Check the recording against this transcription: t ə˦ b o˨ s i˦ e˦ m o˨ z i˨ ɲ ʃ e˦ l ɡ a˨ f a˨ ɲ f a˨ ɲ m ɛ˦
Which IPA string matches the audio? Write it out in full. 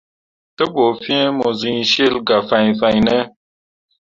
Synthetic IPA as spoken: t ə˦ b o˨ f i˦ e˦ m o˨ z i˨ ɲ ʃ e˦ l ɡ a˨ f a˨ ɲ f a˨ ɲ n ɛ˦